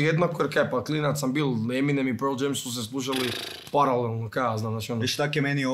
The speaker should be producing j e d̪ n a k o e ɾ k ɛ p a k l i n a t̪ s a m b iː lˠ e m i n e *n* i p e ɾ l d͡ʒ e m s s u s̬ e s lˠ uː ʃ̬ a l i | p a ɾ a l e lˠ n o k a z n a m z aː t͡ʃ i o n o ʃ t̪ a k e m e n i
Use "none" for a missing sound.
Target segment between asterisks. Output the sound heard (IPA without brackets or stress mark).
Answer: m